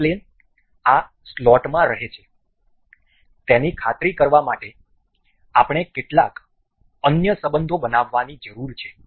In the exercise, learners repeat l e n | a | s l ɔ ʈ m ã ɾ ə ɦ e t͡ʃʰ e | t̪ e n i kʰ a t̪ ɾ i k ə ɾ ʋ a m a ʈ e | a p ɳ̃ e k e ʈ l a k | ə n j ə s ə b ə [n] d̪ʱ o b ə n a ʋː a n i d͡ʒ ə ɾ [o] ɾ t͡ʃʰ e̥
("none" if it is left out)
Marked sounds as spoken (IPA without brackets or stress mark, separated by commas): n, u